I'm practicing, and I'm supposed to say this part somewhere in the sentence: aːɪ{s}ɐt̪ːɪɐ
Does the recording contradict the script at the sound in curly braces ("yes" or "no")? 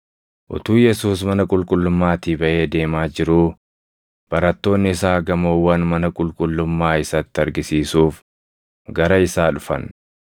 no